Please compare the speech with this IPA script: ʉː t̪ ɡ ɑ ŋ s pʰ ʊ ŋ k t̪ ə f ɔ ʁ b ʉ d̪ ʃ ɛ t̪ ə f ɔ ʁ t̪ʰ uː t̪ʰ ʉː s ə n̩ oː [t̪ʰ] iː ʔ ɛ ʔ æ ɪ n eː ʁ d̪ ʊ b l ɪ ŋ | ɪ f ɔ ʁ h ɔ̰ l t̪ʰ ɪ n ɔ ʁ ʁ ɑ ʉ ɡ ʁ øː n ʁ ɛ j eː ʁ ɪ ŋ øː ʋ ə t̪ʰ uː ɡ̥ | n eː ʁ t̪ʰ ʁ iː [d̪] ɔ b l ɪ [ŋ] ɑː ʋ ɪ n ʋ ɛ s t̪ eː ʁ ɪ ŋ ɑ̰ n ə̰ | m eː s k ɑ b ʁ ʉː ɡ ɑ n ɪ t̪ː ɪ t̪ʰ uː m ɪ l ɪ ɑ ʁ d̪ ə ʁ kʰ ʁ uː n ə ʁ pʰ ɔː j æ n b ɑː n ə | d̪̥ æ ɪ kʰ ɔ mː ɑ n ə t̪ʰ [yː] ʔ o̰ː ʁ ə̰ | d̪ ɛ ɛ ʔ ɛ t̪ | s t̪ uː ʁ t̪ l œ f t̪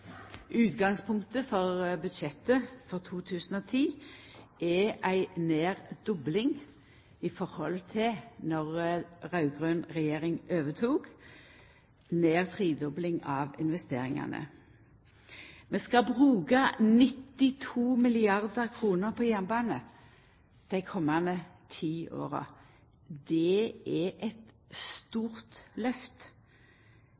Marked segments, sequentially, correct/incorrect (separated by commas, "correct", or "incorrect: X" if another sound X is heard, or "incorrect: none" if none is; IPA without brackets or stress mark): correct, correct, correct, incorrect: iː